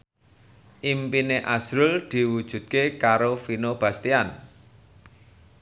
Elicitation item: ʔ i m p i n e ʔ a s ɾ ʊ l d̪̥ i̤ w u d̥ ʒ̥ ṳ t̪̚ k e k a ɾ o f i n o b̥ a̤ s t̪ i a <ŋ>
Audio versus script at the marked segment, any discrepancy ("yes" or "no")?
yes